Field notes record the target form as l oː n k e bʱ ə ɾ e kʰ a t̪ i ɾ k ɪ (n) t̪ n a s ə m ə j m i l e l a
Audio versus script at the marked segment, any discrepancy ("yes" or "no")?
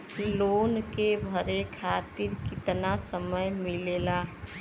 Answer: yes